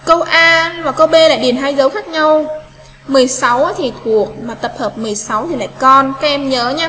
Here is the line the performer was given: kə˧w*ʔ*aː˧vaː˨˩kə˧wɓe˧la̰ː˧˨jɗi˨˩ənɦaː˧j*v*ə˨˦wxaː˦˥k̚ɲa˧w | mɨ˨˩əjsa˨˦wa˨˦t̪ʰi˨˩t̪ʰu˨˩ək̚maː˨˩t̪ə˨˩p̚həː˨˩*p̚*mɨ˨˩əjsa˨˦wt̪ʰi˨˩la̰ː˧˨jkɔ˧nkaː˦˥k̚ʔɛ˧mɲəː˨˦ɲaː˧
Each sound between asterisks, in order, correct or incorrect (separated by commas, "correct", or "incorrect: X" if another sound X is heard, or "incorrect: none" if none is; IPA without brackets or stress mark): correct, incorrect: z, correct